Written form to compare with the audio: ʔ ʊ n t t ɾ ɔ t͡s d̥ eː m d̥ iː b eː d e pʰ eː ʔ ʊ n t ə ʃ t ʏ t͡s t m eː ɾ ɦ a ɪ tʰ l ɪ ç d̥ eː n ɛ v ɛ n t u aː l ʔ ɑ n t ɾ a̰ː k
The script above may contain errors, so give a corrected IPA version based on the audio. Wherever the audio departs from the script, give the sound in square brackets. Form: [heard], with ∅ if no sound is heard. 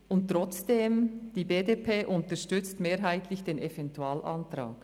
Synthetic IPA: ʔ ʊ n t t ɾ ɔ t͡s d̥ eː m d̥ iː b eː d e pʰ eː ʔ ʊ n t ə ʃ t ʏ t͡s t m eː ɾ ɦ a ɪ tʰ l ɪ ç d̥ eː n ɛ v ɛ n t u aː l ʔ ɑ n t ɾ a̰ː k

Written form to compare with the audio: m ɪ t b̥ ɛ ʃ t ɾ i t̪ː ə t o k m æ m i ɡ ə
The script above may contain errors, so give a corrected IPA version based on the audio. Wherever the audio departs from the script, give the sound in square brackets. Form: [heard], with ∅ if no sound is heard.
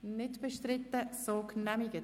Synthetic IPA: [n] ɪ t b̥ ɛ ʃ t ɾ [ɪ] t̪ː ə [s] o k [n] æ m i ɡ ə

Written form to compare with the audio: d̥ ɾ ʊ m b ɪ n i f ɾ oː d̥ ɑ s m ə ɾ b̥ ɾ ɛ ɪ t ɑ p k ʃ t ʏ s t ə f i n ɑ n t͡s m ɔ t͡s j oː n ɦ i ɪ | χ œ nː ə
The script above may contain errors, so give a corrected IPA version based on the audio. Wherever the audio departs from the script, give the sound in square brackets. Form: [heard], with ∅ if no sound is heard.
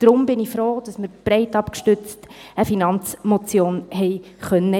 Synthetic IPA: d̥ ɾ ʊ m b ɪ n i f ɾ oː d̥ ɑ s m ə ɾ b̥ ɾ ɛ ɪ t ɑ p k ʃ t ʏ [t͡s] t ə f i n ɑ n t͡s m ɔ t͡s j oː n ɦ [ɛ] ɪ | χ œ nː ə

